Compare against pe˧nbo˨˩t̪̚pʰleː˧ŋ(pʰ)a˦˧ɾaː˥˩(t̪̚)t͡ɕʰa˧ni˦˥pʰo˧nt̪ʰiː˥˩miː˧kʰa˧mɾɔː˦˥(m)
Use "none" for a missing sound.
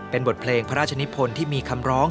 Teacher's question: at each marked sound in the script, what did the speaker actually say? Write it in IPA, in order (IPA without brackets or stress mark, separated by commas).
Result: pʰ, none, ŋ